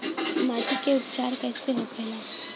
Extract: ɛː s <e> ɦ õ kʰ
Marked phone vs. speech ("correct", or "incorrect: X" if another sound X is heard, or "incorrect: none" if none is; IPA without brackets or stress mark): correct